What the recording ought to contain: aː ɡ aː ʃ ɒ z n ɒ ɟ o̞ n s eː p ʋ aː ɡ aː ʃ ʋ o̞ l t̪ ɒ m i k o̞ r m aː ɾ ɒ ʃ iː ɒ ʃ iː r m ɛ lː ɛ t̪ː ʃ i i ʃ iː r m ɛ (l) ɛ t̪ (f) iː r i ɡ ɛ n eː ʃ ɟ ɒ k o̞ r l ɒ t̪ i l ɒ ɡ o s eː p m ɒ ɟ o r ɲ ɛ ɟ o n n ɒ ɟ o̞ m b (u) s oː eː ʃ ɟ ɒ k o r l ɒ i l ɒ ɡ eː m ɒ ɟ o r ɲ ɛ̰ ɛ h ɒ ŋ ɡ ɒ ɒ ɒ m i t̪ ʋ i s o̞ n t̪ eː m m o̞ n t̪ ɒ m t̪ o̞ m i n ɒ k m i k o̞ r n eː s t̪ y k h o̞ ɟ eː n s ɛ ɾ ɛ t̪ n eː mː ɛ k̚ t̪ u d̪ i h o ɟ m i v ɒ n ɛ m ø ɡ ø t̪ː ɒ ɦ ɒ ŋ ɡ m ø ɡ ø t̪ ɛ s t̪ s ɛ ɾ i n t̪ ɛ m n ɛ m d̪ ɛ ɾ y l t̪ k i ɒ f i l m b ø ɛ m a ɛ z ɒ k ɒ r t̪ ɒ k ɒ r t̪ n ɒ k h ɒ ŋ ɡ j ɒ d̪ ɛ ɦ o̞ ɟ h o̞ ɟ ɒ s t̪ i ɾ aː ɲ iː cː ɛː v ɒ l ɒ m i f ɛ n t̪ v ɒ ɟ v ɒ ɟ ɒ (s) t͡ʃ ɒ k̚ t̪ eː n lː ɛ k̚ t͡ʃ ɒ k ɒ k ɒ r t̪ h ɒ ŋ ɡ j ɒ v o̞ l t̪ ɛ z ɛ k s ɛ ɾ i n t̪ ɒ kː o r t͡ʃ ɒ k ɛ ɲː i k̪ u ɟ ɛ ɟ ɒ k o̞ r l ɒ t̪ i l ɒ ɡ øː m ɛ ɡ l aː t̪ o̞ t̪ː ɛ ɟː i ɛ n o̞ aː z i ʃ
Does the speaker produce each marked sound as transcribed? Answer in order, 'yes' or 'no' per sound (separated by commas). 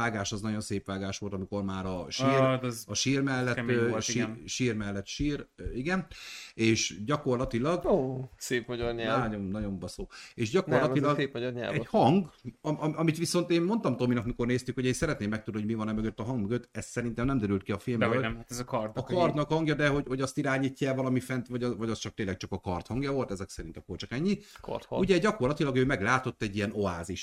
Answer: no, no, no, yes